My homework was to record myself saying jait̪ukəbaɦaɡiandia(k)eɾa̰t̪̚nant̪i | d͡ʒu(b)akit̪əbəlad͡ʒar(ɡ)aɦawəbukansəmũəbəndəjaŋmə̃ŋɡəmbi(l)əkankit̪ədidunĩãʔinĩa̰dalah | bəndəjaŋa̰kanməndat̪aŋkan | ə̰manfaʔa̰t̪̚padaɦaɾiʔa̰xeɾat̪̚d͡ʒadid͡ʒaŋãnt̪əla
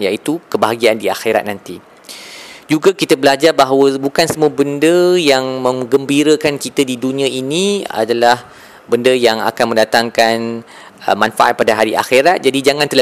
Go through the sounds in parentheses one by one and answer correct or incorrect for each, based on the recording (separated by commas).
incorrect, incorrect, incorrect, incorrect